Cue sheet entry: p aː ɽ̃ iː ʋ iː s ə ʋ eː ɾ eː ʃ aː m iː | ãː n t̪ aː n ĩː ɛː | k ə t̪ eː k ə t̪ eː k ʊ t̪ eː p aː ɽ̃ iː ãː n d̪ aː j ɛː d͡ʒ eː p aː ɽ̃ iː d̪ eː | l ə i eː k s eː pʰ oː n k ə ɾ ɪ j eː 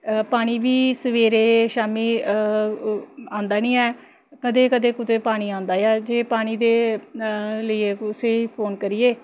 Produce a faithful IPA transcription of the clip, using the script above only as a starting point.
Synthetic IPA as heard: p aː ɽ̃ iː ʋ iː s ə ʋ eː ɾ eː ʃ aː m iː | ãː n d̪ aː n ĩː ɛː | k ə d̪ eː k ə d̪ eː k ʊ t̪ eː p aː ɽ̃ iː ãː n d̪ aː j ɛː d͡ʒ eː p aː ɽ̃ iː d̪ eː | l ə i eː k s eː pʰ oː n k ə ɾ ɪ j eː